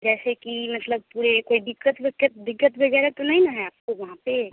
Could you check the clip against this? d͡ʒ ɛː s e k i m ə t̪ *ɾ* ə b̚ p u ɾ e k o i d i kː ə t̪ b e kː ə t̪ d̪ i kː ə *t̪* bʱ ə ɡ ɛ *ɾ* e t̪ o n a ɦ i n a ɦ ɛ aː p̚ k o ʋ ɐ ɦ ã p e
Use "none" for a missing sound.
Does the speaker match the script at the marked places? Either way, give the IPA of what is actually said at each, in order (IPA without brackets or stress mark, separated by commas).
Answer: l, t̪, ɾ